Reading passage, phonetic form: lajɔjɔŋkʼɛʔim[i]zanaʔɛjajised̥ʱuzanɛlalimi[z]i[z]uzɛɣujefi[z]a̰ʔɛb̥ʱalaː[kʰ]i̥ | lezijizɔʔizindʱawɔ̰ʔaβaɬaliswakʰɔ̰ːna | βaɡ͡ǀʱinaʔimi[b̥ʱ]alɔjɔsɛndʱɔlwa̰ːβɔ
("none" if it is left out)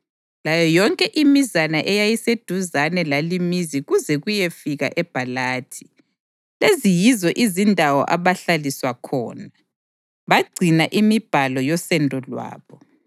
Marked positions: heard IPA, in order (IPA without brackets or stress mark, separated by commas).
i, z, ɣ, ɣ, tʰ, b̥ʱ